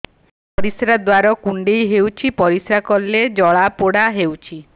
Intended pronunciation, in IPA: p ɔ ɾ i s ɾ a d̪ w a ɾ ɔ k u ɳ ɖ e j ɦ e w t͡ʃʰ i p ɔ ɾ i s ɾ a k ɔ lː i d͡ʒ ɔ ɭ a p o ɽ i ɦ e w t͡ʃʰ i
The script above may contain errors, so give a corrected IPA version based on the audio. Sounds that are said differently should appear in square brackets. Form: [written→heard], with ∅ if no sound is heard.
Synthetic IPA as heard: p ɔ ɾ i s ɾ a d̪ w a ɾ ɔ k u ɳ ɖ e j ɦ e w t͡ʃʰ i p ɔ ɾ i s ɾ a k ɔ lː [i→e] d͡ʒ ɔ ɭ a p o ɽ [i→a] ɦ e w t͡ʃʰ i